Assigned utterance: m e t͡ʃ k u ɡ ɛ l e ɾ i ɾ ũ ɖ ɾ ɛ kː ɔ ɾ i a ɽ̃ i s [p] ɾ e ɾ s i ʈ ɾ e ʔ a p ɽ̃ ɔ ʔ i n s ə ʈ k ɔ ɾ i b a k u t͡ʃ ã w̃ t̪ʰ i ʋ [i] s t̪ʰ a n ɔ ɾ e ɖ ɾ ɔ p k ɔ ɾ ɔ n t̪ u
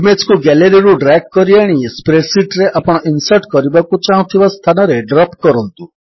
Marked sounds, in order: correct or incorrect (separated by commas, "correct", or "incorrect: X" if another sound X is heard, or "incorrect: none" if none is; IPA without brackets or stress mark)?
correct, incorrect: a